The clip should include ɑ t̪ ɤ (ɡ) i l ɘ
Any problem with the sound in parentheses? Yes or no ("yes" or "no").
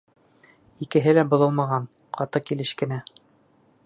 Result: yes